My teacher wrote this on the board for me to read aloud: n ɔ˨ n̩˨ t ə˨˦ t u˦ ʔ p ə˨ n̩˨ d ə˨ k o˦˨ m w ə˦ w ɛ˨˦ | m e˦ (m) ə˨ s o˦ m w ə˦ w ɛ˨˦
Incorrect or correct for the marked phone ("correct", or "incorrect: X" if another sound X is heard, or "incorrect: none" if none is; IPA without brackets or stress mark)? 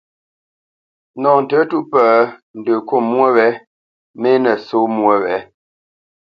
incorrect: n